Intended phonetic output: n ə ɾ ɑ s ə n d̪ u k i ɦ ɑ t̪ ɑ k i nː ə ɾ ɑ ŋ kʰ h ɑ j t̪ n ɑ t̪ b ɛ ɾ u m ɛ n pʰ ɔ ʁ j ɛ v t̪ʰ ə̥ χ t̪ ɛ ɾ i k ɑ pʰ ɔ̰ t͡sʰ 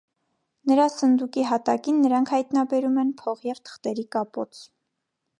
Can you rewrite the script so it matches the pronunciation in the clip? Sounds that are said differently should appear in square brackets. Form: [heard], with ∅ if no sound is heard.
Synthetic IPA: n ə ɾ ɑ s ə n d̪ u k i ɦ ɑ t̪ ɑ k i nː ə ɾ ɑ ŋ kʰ h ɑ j t̪ n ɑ [∅] b ɛ ɾ u m ɛ n pʰ ɔ ʁ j ɛ v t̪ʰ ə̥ χ t̪ ɛ ɾ i k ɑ [p] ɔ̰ t͡sʰ